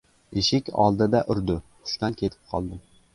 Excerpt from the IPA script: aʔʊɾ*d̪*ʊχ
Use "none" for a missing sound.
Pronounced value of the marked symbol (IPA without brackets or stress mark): d̪